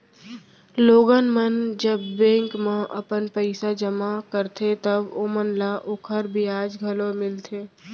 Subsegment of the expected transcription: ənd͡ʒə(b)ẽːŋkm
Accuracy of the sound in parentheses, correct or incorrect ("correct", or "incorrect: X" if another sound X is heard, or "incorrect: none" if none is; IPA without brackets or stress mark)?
incorrect: bː